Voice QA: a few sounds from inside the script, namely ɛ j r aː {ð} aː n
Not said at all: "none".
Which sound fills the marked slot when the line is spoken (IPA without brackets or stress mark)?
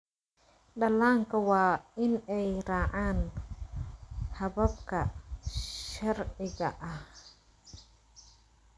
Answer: ʕ